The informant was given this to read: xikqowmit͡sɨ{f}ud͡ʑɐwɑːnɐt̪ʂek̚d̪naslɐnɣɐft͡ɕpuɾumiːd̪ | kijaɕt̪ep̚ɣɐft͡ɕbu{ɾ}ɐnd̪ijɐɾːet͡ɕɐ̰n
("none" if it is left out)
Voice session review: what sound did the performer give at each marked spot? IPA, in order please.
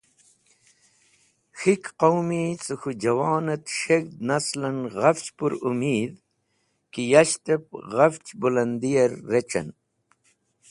x, l

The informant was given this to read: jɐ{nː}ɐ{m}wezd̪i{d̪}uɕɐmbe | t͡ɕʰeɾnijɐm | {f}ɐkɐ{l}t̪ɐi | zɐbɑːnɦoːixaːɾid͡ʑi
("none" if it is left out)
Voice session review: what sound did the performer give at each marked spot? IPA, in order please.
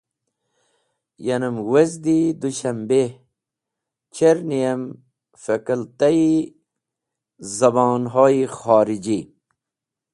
n, m, d̪, f, l

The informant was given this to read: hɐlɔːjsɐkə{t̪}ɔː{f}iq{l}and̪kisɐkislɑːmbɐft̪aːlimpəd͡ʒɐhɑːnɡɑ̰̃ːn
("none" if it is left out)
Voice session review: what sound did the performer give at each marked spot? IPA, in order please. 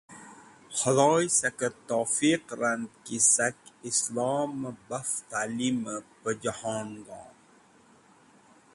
t̪, f, ɾ

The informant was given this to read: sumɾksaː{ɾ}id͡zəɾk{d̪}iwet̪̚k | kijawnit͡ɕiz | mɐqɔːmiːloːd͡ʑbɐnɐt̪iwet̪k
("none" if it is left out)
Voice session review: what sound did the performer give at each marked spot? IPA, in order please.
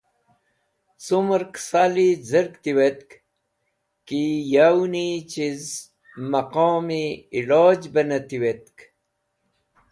l, t̪

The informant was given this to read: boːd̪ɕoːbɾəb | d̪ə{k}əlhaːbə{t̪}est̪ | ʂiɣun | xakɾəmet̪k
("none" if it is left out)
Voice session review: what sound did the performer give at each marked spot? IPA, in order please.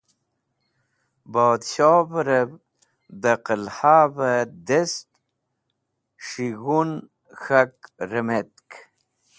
q, d̪

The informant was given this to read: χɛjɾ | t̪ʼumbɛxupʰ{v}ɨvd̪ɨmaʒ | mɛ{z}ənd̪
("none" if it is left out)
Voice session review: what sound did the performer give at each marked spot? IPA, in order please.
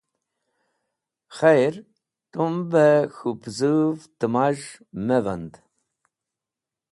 z, v

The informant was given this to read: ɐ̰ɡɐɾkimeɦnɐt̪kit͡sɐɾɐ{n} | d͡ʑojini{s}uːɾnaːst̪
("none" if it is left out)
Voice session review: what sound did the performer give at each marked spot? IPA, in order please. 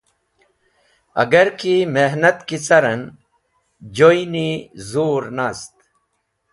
n, z

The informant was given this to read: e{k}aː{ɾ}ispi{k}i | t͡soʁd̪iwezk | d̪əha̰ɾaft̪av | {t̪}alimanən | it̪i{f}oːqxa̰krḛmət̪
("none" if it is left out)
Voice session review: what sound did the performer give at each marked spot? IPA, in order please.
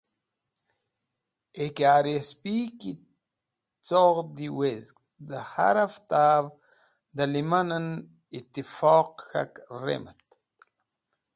k, ɾ, k, d̪, f

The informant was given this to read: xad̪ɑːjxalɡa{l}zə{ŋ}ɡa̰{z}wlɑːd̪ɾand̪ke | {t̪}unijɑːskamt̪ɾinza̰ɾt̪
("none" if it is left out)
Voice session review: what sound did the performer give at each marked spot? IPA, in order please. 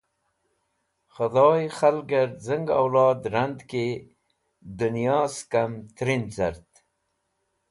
ɾ, ŋ, none, d̪

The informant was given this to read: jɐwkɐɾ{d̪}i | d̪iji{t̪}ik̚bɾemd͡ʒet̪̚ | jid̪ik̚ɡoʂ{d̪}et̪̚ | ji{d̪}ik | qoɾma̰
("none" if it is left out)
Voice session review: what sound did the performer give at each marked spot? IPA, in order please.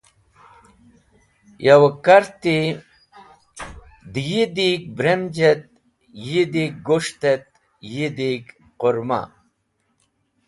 t̪, d̪, t̪, d̪

